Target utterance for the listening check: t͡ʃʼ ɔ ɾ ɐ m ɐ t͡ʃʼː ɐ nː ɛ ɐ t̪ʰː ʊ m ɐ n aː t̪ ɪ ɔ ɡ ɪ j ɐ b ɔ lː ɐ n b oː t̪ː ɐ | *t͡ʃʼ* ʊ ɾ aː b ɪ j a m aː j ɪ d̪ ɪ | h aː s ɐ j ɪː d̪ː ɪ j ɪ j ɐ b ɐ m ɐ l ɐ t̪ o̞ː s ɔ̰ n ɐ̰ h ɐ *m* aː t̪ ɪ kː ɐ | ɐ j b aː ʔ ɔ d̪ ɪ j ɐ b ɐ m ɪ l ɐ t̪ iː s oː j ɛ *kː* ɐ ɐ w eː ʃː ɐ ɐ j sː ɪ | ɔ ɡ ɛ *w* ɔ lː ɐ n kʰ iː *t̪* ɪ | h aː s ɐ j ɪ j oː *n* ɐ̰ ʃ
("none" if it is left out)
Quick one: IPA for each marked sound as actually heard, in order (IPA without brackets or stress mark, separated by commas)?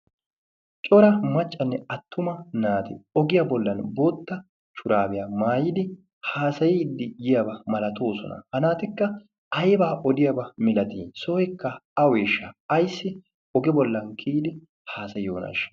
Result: t͡ʃ, n, kː, b, d̪, n